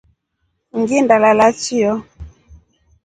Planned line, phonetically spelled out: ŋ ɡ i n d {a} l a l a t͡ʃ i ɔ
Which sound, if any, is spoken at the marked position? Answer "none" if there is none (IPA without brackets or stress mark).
a